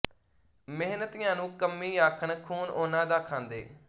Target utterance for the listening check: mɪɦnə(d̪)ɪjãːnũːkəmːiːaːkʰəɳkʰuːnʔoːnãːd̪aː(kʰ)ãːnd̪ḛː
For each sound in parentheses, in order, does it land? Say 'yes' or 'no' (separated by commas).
no, yes